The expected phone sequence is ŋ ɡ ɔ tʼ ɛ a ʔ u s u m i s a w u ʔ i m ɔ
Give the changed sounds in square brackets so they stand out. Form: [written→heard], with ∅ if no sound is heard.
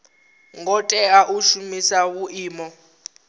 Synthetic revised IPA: ŋ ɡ ɔ tʼ ɛ a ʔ u [s→ʃ] u m i s a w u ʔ [i→iː] m ɔ